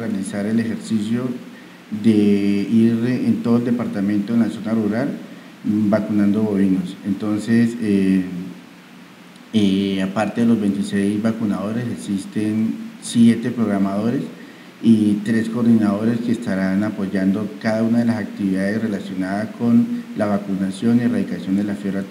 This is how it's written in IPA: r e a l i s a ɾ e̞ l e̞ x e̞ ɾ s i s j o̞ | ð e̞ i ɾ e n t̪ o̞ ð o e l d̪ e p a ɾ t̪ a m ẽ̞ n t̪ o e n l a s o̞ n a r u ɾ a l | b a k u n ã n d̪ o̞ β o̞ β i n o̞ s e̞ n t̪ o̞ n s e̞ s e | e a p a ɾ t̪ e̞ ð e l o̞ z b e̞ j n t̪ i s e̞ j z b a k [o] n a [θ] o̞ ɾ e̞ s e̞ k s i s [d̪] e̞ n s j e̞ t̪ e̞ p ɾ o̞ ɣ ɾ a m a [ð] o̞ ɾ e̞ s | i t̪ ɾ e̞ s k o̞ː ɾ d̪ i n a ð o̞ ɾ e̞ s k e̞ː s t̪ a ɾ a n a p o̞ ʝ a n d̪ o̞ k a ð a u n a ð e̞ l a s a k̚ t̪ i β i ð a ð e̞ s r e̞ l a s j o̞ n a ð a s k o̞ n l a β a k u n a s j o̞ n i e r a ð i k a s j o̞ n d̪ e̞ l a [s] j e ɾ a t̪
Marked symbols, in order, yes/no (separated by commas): no, no, no, yes, no